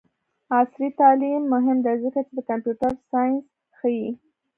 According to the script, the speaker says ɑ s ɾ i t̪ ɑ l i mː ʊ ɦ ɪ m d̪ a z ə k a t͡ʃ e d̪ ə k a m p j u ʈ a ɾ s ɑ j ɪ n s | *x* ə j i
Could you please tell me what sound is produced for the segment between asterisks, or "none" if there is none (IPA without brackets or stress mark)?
x